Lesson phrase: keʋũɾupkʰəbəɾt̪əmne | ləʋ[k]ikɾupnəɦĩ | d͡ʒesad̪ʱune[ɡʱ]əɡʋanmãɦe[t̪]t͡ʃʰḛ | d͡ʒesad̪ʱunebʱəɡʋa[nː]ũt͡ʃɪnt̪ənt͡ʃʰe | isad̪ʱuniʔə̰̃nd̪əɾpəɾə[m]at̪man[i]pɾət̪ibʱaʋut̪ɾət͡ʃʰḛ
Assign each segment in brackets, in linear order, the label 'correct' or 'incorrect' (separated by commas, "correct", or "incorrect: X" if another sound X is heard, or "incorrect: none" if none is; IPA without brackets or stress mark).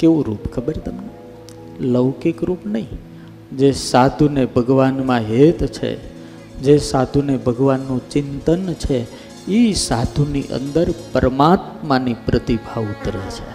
correct, incorrect: bʱ, correct, correct, correct, correct